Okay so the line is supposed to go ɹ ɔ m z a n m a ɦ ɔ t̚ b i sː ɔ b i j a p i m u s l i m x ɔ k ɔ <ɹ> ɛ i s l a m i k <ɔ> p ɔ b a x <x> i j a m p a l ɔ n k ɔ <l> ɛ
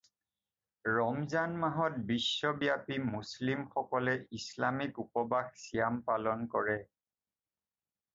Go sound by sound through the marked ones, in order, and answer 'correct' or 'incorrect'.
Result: incorrect: l, incorrect: u, incorrect: s, incorrect: ɹ

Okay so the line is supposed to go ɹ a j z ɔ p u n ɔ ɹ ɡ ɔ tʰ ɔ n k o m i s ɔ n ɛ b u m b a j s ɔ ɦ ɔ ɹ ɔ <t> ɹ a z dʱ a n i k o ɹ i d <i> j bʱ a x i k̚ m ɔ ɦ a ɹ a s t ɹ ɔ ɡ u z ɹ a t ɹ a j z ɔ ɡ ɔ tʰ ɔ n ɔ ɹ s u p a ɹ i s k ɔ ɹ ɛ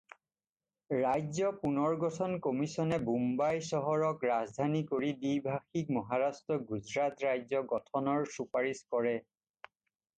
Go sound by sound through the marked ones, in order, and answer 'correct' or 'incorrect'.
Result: incorrect: k, correct

